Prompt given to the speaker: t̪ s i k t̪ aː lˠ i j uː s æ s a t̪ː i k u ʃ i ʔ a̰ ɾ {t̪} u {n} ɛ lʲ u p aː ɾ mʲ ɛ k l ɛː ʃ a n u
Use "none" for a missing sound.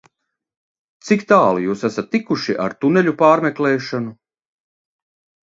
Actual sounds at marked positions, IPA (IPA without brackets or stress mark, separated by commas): t̪, n